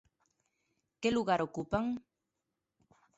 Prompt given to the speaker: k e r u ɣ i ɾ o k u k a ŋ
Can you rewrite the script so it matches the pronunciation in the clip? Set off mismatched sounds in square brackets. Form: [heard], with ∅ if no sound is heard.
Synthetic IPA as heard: k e [l] u ɣ [a] ɾ o k u [p] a ŋ